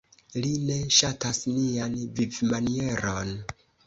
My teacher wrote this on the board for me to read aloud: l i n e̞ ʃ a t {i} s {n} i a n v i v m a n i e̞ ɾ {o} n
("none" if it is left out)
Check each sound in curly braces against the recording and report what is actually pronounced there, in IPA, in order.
a, n, o

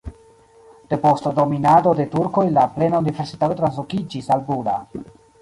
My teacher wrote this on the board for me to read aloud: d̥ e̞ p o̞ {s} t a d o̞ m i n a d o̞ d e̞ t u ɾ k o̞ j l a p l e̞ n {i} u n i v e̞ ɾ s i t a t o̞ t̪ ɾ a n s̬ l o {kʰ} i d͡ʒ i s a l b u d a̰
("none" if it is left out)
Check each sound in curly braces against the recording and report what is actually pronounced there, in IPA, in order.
s, a, k

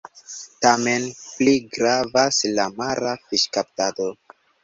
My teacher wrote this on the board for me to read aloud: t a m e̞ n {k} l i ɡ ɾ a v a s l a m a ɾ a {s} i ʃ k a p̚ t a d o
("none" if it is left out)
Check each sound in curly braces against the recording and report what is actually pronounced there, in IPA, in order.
p, f

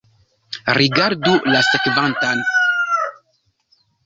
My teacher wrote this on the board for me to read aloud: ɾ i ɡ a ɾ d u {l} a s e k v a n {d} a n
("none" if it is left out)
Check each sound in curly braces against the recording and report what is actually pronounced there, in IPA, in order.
l, t

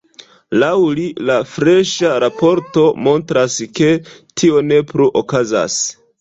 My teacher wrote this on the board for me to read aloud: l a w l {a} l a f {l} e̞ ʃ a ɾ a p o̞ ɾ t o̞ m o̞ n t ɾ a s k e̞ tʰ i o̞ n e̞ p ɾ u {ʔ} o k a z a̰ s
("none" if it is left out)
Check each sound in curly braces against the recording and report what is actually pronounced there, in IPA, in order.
i, ɾ, ʔ

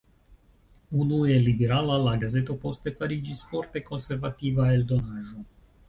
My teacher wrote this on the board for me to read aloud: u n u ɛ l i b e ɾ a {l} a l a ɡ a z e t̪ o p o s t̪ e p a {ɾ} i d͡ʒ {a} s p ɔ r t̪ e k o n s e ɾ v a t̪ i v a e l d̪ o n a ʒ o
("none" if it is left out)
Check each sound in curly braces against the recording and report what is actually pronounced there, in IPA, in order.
l, ɾ, i

